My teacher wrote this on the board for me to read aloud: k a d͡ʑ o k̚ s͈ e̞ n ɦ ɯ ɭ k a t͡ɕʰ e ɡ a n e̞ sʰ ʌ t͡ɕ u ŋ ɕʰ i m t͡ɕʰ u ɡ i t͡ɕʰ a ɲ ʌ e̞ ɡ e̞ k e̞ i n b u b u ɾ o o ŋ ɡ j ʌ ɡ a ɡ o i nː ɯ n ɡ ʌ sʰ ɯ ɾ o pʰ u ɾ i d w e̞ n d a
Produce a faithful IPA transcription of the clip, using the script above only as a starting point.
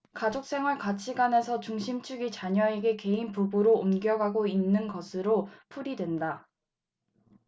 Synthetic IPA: k a d͡ʑ o k̚ s͈ e̞ ŋ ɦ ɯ ɭ k a t͡ɕʰ i ɡ a n e̞ sʰ ʌ t͡ɕ u ŋ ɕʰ i m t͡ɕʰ u ɡ i t͡ɕ a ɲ ʌ e̞ ɡ e̞ k e̞ i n p u b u ɾ o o m ɡ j ʌ ɡ a ɡ o i nː ɯ n ɡ ʌ sʰ ɯ ɾ o pʰ u ɾ i d w e̞ n d a

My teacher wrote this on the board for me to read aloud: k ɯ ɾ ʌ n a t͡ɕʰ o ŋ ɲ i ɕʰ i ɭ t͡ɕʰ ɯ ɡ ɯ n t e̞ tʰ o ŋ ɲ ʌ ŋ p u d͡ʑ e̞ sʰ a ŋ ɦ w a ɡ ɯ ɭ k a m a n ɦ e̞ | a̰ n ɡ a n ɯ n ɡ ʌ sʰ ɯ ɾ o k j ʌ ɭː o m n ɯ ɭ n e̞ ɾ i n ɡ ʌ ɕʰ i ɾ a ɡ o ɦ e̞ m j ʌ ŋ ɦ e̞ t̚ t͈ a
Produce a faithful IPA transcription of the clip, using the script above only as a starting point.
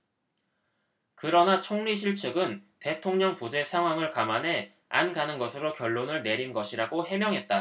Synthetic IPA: k ɯ ɾ ʌ n a t͡ɕʰ o ŋ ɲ i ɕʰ i ɭ t͡ɕʰ ɯ ɡ ɯ n t e̞ tʰ o ŋ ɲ ʌ ŋ p u d͡ʑ e̞ sʰ a ŋ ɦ w a ŋ ɯ ɭ k a m a n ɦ e̞ | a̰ n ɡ a n ɯ n ɡ ʌ sʰ ɯ ɾ o k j ʌ ɭː o n ɯ ɭ n e̞ ɾ i n ɡ ʌ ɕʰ i ɾ a ɡ o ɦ e̞ m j ʌ ŋ ɦ e̞ t̚ t͈ a

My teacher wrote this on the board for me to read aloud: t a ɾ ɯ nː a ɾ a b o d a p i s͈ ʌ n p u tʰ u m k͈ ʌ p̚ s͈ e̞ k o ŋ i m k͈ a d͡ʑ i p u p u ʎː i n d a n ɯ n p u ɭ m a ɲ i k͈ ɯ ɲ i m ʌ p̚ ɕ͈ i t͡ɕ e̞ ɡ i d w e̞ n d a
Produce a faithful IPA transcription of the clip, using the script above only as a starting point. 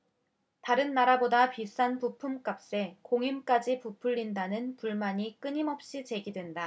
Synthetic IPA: t a ɾ ɯ nː a ɾ a b o d a p i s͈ a n p u pʰ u m k͈ a p̚ s͈ e̞ k o ŋ i m k͈ a d͡ʑ i p u pʰ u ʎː i n d a n ɯ n p u ɭ m a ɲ i k͈ ɯ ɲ i m ʌ p̚ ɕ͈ i t͡ɕ e̞ ɡ i d w e̞ n d a

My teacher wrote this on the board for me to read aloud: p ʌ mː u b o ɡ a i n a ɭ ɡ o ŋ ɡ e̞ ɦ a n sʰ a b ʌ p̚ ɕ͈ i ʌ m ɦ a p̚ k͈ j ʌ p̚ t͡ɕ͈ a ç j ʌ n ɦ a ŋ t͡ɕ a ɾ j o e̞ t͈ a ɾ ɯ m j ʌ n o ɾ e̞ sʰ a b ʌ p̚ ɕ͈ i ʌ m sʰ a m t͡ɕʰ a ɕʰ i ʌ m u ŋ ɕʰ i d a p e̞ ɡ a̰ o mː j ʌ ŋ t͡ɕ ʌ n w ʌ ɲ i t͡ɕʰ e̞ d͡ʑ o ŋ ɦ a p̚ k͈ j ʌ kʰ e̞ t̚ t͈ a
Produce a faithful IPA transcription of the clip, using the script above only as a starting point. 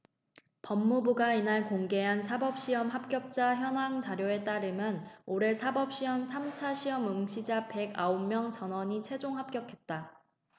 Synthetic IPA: p ʌ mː u b u ɡ a i n a ɭ k o ŋ ɡ e̞ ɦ a n sʰ a b ʌ p̚ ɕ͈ i ʌ m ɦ a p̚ k͈ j ʌ p̚ t͡ɕ͈ a ç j ʌ n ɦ a ŋ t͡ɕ a ɾ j o e̞ t͈ a ɾ ɯ m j ʌ n o ɾ e̞ sʰ a b ʌ p̚ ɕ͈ i ʌ m sʰ a m t͡ɕʰ a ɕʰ i ʌ m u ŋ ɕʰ i d͡ʑ a p e̞ ɡ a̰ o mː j ʌ ŋ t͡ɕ ʌ n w ʌ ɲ i t͡ɕʰ e̞ d͡ʑ o ŋ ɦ a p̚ k͈ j ʌ kʰ e̞ t̚ t͈ a

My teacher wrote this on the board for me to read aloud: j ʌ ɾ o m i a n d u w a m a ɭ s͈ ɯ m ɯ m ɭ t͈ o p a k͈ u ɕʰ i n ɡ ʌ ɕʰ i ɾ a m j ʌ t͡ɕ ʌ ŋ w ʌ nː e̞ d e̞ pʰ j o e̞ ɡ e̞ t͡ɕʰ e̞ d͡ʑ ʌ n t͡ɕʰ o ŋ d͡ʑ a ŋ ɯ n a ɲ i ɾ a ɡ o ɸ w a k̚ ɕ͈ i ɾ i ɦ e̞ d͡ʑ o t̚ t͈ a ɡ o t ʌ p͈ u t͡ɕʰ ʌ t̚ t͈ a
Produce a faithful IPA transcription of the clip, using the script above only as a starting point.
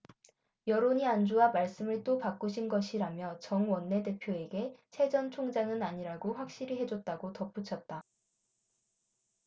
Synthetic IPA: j ʌ ɾ o ɲ i a n d͡ʑ u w a m a ɭ s͈ ɯ m ɯ ɭ t͈ o p a k͈ u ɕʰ i n ɡ ʌ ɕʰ i ɾ a m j ʌ t͡ɕ ʌ ŋ w ʌ nː e̞ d e̞ pʰ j o e̞ ɡ e̞ t͡ɕʰ e̞ d͡ʑ ʌ n t͡ɕʰ o ŋ d͡ʑ a ŋ ɯ n a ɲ i ɾ a ɡ o ɸ w a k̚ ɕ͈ i ɾ i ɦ e̞ d͡ʑ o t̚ t͈ a ɡ o t ʌ p͈ u t͡ɕʰ ʌ t̚ t͈ a

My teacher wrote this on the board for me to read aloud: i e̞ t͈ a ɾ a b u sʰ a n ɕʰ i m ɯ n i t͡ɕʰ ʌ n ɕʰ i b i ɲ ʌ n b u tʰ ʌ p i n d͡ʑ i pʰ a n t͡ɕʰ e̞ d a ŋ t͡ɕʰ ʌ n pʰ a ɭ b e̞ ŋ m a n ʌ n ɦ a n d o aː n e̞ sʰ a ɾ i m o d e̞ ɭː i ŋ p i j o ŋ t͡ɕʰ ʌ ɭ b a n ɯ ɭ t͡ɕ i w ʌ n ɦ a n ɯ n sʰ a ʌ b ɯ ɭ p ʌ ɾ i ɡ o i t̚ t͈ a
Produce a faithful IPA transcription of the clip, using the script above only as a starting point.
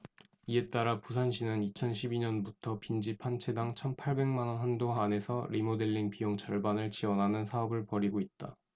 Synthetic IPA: i e̞ t͈ a ɾ a p u sʰ a n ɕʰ i n ɯ n i t͡ɕʰ ʌ n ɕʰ i b i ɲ ʌ n b u tʰ ʌ p i n d͡ʑ i pʰ a n t͡ɕʰ e̞ d a ŋ t͡ɕʰ ʌ n pʰ a ɭ b e̞ ŋ m a n ʌ n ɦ a n d o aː n e̞ sʰ ʌ ɾ i m o d e̞ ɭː i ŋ p i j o ŋ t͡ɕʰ ʌ ɭ b a n ɯ ɭ t͡ɕ i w ʌ n ɦ a n ɯ n sʰ a ʌ b ɯ ɭ p ʌ ɾ i ɡ o i t̚ t͈ a

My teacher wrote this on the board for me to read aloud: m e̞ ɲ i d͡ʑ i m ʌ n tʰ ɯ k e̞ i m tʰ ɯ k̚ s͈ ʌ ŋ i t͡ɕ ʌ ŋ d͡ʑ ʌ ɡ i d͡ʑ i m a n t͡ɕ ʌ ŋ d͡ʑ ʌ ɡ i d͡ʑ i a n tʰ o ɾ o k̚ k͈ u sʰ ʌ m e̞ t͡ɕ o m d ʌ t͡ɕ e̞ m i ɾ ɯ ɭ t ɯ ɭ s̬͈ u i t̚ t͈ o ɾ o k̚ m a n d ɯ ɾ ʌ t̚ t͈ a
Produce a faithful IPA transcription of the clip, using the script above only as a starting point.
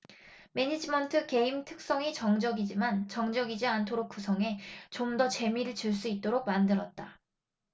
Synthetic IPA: m e̞ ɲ i d͡ʑ i m ʌ n tʰ ɯ k e̞ i m tʰ ɯ k̚ s͈ ʌ ŋ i t͡ɕ ʌ ŋ d͡ʑ ʌ ɡ i d͡ʑ i m a n t͡ɕ ʌ ŋ d͡ʑ ʌ ɡ i d͡ʑ i a n tʰ o ɾ o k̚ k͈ u sʰ ʌ ŋ e̞ t͡ɕ o m d ʌ t͡ɕ e̞ m i ɾ ɯ ɭ t͡ɕ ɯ ɭ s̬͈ u i t̚ t͈ o ɾ o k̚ m a n d ɯ ɾ ʌ t̚ t͈ a

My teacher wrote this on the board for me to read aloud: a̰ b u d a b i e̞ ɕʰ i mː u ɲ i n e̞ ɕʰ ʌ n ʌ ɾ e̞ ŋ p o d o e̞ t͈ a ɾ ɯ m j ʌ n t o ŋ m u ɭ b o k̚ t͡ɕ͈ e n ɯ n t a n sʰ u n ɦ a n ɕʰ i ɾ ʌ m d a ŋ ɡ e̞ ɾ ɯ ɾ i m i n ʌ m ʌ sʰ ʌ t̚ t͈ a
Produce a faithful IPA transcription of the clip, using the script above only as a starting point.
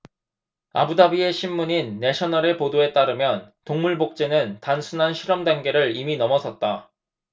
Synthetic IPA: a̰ b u d a b i e̞ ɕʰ i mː u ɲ i nː e̞ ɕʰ ʌ n ʌ ɾ e̞ p o d o e̞ t͈ a ɾ ɯ m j ʌ n t o ŋ m u ɭ b o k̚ t͡ɕ͈ e n ɯ n t a n sʰ u n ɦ a n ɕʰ i ɾ ʌ m d a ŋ ɡ e̞ ɾ ɯ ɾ i m i n ʌ m ʌ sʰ ʌ t̚ t͈ a

